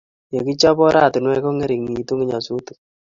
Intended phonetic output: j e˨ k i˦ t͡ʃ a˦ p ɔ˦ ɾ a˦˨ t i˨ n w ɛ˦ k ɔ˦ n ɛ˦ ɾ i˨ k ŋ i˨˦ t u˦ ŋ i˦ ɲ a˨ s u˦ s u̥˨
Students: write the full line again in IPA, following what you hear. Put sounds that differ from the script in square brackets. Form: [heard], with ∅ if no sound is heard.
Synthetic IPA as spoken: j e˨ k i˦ t͡ʃ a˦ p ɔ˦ ɾ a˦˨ t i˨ n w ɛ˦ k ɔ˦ [ŋ] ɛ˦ ɾ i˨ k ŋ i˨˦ t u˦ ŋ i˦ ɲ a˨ s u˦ [t] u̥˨